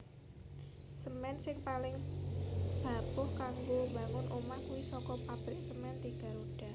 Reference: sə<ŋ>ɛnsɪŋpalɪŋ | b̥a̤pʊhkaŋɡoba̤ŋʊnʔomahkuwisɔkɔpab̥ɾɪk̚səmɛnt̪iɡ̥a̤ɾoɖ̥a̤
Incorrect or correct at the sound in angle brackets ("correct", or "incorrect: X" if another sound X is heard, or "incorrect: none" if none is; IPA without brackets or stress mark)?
incorrect: m